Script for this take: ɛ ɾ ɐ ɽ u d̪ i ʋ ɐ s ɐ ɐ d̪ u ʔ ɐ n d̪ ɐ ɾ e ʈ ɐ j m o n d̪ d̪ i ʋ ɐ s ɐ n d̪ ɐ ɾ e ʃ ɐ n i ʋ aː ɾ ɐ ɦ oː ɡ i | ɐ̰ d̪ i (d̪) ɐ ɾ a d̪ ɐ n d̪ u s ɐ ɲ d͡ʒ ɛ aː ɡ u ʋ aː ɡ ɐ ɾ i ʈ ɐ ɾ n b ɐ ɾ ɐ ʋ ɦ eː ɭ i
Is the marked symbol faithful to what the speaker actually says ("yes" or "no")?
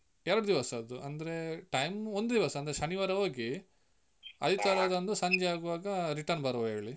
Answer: no